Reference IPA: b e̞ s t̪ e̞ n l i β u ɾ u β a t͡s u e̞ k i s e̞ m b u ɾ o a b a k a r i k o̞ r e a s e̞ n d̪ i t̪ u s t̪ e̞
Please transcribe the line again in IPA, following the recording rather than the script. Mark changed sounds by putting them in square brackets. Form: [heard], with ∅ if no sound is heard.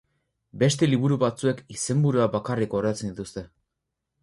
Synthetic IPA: b e̞ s t̪ e̞ [∅] l i β u ɾ u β a t͡s u e̞ k i s e̞ m b u ɾ [u] a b a k a r i k o̞ r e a [t͡s] e̞ n d̪ i t̪ u s t̪ e̞